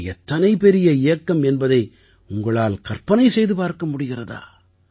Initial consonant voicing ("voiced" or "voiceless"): voiceless